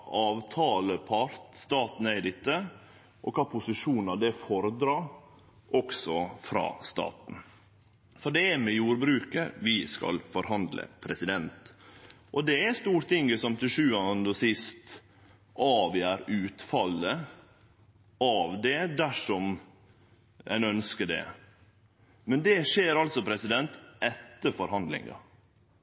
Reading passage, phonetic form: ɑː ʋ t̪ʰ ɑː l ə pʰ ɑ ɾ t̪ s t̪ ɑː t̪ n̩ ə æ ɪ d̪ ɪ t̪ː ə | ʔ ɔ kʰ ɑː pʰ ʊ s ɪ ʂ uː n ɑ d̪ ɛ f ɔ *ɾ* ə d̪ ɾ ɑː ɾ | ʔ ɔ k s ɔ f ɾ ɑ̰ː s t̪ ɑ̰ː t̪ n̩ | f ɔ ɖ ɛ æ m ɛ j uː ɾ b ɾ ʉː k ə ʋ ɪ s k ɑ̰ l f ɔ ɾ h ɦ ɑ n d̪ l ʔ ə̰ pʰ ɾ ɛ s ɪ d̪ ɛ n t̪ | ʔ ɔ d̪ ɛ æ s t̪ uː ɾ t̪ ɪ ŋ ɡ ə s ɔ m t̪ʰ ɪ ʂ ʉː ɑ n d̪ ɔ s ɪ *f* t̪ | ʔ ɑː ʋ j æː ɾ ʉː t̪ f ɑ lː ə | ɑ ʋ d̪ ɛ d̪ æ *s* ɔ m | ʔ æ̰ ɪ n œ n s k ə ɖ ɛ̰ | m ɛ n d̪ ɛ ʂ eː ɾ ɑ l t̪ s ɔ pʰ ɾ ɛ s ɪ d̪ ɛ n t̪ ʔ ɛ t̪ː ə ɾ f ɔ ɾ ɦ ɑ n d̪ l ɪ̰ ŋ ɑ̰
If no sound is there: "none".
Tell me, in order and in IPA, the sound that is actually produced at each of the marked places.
ɾ, s, ʂ

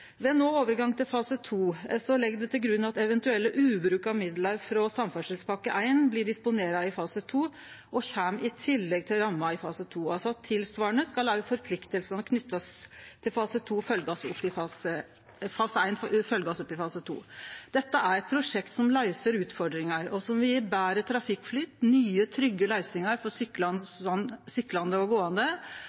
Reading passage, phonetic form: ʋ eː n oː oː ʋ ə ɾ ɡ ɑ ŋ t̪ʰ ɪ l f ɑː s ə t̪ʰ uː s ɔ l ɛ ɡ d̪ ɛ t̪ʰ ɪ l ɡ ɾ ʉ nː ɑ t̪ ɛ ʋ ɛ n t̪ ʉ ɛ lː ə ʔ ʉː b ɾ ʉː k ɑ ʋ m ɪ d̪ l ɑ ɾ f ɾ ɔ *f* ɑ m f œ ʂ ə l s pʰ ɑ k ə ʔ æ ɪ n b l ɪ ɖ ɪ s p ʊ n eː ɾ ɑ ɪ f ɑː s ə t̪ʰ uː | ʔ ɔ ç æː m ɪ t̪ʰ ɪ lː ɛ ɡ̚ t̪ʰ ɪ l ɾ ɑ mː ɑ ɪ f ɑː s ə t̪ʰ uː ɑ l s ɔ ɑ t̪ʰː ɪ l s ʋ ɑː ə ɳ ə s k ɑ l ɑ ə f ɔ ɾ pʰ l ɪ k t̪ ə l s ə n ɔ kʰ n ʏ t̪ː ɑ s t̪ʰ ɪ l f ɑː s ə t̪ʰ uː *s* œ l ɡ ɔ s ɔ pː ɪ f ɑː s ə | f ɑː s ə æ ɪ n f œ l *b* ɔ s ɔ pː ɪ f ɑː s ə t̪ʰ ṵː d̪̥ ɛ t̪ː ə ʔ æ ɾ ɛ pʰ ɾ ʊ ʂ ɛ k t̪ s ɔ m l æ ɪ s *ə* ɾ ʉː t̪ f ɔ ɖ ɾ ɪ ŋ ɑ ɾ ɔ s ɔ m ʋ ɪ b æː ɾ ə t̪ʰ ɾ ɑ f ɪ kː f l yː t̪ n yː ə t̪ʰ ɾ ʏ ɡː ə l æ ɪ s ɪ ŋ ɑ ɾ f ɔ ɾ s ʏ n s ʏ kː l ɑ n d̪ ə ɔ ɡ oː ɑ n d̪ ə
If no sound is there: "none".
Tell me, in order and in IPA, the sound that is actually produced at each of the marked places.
s, f, ɡ, ə

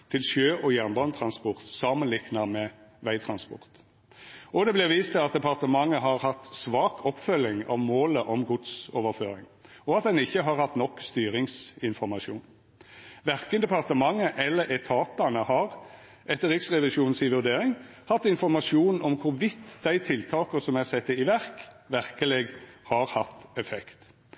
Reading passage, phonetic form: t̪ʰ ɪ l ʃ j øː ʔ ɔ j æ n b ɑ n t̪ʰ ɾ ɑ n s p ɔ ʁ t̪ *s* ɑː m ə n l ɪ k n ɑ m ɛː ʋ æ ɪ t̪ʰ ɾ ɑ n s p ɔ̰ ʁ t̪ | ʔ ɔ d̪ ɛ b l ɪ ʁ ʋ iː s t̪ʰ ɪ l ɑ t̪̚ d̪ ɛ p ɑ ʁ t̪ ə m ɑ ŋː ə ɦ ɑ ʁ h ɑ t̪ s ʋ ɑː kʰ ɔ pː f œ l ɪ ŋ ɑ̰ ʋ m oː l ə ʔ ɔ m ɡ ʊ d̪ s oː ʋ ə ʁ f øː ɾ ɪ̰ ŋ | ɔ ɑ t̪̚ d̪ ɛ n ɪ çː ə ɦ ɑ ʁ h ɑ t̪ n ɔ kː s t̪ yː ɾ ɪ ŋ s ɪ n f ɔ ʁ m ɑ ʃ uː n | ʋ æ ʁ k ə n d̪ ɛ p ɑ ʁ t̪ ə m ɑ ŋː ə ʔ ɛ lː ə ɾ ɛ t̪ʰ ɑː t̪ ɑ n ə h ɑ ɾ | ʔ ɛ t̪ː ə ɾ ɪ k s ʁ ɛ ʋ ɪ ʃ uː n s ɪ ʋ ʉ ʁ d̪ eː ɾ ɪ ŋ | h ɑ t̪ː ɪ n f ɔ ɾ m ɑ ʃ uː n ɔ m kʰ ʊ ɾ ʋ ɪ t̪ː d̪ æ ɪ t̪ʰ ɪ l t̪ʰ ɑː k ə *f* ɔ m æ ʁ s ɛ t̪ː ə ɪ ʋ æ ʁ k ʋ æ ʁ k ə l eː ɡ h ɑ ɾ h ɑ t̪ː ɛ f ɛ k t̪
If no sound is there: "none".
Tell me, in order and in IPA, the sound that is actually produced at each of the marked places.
s, s

